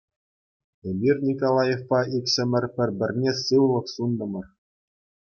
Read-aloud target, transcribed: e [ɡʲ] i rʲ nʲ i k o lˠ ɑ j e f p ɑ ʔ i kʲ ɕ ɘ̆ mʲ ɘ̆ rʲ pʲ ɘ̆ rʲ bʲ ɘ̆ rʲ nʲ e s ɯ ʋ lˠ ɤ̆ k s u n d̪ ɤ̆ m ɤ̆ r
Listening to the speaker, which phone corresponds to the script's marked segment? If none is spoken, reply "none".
bʲ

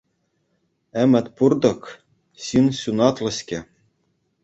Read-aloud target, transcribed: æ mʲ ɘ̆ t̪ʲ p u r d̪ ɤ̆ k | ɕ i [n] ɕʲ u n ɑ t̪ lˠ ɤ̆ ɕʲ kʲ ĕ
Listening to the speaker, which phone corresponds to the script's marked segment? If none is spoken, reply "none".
n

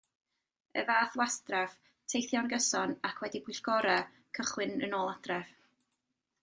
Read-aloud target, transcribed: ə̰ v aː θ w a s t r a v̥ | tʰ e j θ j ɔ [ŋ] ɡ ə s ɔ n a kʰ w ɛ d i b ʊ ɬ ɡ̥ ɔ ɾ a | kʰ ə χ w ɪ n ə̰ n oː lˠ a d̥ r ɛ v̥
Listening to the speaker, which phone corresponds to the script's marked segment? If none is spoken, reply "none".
n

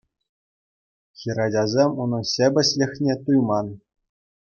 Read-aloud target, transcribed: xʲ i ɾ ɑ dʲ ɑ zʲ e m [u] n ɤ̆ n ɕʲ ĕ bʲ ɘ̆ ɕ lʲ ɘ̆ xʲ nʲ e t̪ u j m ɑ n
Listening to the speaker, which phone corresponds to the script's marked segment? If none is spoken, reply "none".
u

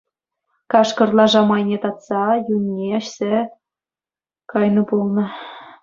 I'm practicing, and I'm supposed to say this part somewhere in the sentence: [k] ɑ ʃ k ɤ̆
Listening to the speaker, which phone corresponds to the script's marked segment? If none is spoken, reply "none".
k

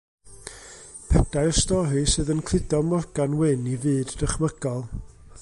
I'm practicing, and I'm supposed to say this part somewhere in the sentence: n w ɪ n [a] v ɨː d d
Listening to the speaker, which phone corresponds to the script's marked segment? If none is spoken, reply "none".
i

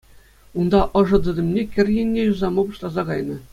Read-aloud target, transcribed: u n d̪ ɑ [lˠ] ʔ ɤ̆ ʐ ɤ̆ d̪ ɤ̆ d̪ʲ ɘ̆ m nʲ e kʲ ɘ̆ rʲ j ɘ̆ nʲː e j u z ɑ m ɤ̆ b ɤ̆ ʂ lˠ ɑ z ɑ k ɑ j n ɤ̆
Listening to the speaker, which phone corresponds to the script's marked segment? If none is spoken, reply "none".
none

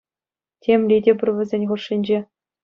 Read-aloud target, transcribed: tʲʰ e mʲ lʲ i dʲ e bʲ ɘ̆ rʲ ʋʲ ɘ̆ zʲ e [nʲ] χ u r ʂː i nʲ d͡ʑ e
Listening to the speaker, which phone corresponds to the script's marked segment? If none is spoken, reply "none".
nʲ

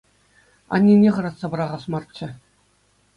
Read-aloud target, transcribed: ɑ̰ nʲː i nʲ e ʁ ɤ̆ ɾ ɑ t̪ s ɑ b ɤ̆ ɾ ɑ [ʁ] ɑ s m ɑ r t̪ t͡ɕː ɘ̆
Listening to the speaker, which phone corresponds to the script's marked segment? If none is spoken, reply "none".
ʁ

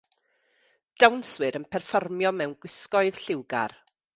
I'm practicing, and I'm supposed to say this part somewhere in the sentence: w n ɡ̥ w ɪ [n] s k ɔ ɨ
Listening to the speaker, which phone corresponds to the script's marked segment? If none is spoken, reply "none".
none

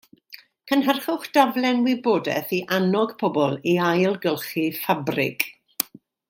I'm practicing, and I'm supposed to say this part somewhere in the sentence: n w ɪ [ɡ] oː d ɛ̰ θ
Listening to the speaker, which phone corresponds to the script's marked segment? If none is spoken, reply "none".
b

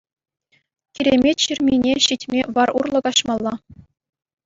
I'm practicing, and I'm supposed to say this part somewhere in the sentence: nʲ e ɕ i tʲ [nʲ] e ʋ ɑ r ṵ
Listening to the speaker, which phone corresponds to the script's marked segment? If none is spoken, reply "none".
mʲ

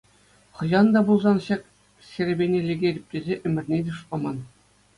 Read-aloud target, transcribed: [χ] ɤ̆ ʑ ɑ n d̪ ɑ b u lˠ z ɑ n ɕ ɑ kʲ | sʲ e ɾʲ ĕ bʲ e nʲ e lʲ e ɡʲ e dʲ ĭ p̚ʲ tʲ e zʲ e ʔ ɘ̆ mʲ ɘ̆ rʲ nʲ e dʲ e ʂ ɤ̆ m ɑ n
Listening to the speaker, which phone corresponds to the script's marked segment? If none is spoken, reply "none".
χ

